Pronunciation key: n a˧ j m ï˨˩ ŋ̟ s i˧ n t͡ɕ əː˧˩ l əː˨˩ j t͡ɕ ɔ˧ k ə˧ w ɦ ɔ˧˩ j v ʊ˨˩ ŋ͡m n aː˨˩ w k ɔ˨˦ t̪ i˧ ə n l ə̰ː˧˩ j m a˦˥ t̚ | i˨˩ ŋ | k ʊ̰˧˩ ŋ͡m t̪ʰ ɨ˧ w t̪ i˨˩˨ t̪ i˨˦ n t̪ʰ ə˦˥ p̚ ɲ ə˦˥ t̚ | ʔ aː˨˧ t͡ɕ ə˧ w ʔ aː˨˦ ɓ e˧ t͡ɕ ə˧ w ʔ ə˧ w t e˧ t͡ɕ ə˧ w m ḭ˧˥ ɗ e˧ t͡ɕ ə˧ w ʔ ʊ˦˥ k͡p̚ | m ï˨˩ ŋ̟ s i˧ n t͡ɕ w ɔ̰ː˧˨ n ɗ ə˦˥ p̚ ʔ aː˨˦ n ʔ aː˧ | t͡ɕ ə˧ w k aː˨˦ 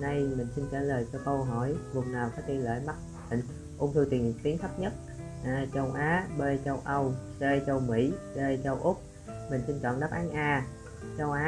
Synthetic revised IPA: n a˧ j m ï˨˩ ŋ̟ s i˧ n t͡ɕ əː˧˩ l əː˨˩ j t͡ɕ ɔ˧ k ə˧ w ɦ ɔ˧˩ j v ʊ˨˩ ŋ͡m n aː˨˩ w k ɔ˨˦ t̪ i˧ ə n l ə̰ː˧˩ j m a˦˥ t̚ | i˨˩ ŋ | ʔ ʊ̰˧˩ ŋ͡m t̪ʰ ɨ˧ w t̪ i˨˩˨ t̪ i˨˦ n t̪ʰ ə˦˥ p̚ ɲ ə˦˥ t̚ | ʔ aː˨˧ t͡ɕ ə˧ w ʔ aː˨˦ ɓ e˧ t͡ɕ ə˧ w ʔ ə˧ w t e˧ t͡ɕ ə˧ w m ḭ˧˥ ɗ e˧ t͡ɕ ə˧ w ʔ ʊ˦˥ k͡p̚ | m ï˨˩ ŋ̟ s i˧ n t͡ɕ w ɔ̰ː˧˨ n ɗ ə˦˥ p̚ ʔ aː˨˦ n ʔ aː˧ | t͡ɕ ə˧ w ʔ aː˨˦